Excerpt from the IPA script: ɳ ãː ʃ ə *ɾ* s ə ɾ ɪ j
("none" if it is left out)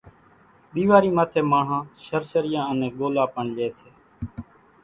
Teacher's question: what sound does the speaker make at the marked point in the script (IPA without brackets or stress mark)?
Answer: ɾ